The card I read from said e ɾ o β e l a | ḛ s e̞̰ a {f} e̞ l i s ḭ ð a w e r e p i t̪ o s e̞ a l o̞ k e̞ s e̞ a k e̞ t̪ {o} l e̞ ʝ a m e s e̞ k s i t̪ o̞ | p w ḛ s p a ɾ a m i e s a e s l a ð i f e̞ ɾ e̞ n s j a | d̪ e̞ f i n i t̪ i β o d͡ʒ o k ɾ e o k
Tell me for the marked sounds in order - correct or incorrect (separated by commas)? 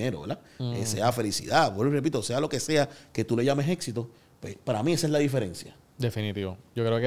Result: correct, incorrect